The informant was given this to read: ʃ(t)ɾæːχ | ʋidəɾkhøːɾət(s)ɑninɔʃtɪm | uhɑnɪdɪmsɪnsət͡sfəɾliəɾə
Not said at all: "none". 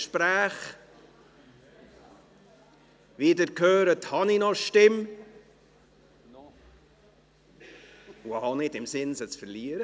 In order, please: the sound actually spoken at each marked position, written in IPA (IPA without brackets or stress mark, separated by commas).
p, h